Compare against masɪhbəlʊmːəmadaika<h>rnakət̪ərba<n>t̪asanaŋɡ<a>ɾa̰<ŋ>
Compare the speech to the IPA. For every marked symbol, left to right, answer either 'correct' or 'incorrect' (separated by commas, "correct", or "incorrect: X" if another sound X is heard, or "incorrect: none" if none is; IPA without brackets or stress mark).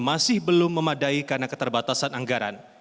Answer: incorrect: none, incorrect: none, correct, incorrect: n